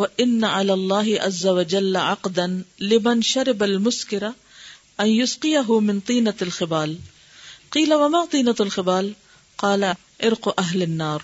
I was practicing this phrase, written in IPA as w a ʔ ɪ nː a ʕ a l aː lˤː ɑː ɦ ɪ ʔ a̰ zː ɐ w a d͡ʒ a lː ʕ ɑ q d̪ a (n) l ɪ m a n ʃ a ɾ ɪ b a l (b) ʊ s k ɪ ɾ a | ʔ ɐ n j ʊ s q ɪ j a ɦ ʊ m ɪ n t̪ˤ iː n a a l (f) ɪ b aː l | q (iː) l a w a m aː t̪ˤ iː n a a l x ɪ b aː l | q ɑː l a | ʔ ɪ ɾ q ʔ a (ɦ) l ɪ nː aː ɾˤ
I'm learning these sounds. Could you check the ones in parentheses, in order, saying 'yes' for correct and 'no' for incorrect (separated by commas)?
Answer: yes, no, no, yes, yes